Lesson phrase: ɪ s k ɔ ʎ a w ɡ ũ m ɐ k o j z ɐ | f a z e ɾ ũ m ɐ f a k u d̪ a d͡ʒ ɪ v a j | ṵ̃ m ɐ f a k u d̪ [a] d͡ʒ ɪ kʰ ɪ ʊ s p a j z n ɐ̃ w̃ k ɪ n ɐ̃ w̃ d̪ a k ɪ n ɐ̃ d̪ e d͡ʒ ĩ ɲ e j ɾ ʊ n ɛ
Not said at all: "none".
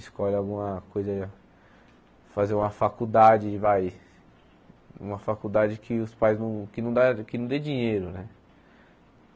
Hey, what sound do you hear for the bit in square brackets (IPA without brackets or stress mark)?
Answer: a